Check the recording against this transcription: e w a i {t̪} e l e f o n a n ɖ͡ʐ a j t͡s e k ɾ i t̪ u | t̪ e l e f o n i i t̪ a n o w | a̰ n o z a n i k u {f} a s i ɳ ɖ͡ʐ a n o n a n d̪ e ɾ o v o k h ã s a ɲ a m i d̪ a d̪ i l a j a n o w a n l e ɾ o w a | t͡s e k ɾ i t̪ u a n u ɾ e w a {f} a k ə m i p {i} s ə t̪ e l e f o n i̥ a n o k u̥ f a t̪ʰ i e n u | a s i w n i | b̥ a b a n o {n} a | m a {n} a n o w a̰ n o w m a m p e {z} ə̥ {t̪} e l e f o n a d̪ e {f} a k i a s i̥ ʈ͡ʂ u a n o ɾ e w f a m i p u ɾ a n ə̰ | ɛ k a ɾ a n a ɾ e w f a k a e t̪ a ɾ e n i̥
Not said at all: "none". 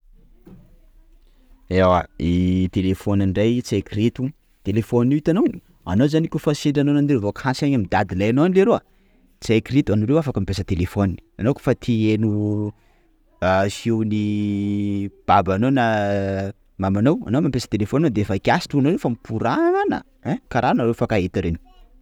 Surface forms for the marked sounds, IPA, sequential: t̪, f, f, e, n, m, s, t̪, f

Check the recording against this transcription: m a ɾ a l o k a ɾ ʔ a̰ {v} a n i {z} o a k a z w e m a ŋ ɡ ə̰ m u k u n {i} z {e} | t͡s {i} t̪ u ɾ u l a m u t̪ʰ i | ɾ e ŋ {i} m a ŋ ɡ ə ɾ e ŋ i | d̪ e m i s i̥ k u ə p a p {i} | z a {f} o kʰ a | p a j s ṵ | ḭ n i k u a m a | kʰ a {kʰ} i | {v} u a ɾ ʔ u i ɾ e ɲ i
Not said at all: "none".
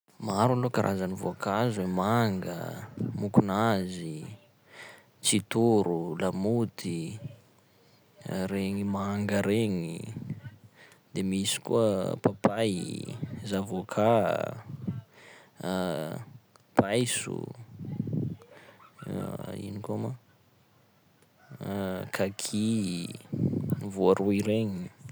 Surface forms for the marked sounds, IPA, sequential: z, v, a, i, i, i, a, v, kʰ, v

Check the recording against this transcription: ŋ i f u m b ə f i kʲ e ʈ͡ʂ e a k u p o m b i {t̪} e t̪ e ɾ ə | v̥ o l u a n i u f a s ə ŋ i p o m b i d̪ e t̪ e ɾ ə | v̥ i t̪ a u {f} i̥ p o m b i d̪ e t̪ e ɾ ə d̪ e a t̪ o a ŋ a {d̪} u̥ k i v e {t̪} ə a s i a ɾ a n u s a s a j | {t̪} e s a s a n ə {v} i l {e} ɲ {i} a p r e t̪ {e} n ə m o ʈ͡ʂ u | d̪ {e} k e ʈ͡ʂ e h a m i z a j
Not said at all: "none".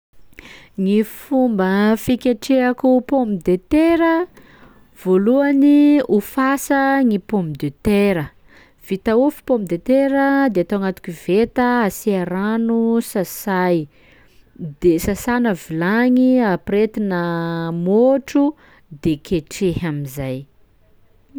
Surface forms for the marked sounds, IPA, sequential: d̪, f, t̪, t̪, d̪, v, a, i, i, e

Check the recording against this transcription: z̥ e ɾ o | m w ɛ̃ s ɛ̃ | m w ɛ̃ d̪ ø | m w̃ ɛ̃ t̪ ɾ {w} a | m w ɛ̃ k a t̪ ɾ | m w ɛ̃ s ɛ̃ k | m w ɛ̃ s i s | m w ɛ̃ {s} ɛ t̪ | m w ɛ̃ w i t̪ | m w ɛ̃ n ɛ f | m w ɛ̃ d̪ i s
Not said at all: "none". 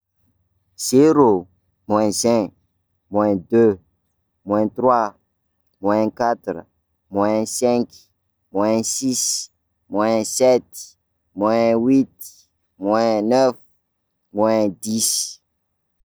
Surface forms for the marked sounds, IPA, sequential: w, s

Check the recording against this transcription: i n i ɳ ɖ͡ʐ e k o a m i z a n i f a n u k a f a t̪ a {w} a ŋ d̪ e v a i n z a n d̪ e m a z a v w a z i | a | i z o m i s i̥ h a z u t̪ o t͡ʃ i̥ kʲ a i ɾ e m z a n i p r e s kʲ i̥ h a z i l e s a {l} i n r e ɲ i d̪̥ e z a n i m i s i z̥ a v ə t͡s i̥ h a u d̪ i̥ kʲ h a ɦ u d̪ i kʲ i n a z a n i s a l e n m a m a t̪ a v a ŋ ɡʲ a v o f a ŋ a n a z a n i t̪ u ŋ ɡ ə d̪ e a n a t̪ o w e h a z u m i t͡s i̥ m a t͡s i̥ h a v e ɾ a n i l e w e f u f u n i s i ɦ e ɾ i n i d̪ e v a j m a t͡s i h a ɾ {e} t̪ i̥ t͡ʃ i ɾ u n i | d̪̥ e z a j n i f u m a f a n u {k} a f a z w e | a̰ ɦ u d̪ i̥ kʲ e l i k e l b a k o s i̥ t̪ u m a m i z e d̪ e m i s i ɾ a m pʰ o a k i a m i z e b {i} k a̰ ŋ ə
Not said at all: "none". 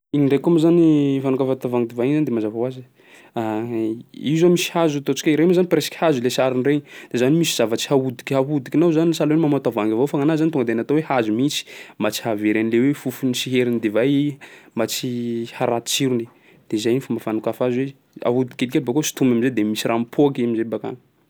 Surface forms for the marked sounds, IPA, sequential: v, ɾ, a, k, a

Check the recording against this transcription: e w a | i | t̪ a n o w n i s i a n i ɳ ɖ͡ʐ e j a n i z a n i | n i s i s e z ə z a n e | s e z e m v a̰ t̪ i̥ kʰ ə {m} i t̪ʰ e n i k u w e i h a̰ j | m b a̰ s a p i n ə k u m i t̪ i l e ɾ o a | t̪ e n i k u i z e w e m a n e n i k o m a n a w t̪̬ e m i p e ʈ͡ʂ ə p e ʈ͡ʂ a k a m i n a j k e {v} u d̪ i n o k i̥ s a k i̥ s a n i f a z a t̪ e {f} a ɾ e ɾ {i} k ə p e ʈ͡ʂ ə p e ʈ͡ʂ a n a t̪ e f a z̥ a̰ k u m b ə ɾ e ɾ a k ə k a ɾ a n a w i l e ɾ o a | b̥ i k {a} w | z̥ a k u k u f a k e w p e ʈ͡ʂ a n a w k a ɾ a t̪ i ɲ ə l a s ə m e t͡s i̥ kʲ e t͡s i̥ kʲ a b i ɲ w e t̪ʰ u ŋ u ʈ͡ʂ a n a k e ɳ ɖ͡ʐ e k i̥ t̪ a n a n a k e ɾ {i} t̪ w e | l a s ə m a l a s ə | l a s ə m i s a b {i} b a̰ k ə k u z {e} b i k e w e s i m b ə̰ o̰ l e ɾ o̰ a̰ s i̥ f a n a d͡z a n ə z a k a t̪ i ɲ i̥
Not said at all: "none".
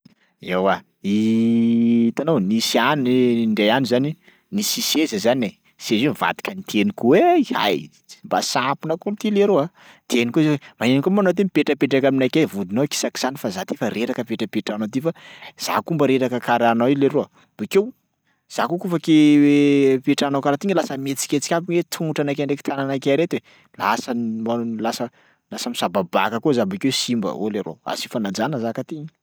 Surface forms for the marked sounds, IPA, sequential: n, v, f, a, e, e, a, a

